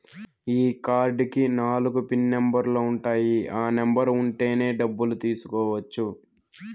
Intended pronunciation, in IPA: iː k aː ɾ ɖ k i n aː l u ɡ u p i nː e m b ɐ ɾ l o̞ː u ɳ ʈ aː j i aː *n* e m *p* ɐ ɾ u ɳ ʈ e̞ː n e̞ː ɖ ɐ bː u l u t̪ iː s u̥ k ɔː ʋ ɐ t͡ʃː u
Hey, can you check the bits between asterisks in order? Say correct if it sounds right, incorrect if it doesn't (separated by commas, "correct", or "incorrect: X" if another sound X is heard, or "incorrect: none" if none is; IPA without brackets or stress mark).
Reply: correct, incorrect: b